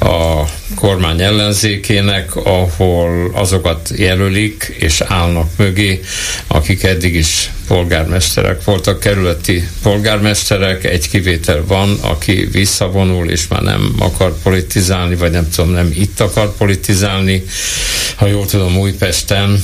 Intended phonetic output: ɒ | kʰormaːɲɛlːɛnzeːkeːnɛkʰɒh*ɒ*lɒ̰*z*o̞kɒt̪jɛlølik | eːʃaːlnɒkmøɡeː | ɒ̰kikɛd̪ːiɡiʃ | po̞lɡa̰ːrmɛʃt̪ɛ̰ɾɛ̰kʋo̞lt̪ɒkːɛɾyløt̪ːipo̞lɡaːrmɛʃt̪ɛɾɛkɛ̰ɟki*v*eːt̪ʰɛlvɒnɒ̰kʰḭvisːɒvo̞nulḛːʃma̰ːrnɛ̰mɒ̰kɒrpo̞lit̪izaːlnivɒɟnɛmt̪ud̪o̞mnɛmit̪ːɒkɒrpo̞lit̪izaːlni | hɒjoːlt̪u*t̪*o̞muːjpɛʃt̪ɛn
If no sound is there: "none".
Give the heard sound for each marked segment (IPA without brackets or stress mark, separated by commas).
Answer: o, z, v, d̪